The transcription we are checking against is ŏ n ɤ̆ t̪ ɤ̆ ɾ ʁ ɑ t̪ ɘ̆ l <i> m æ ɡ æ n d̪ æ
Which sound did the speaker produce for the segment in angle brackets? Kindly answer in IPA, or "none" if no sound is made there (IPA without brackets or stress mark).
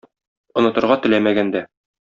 æ